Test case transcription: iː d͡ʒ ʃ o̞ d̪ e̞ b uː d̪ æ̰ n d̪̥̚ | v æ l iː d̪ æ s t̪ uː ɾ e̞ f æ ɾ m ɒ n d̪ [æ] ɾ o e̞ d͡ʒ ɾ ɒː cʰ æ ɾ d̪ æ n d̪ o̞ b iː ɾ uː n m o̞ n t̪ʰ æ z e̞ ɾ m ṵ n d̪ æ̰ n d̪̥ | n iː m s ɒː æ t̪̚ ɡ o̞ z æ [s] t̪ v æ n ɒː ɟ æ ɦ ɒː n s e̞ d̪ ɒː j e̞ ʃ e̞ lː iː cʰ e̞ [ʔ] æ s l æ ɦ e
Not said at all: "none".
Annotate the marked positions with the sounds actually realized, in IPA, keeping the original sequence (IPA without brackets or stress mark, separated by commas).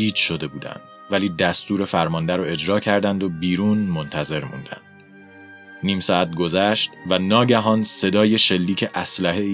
æ, ʃ, ʔ